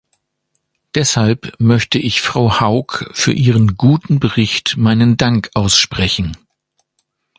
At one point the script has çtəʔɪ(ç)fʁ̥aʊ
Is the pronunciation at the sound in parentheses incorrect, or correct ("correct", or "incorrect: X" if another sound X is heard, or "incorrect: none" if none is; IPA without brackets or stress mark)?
correct